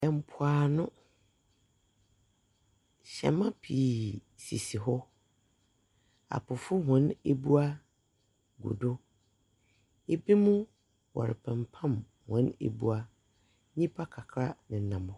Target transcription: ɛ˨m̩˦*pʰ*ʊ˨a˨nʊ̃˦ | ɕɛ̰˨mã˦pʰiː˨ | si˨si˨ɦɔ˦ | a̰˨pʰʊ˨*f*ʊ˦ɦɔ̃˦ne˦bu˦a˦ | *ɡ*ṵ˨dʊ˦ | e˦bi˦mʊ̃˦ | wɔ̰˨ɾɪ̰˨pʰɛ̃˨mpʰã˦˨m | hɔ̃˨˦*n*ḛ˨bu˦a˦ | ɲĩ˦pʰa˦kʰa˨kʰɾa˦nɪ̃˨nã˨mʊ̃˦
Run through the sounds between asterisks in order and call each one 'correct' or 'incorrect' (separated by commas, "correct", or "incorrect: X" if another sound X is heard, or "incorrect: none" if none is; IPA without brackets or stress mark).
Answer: correct, correct, correct, correct